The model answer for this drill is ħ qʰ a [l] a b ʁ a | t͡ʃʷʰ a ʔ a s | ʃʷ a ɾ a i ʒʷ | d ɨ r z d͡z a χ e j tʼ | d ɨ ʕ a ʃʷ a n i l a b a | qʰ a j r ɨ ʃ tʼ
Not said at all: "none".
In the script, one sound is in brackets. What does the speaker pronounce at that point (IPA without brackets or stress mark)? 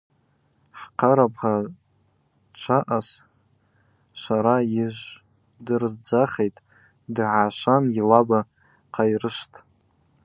ɾ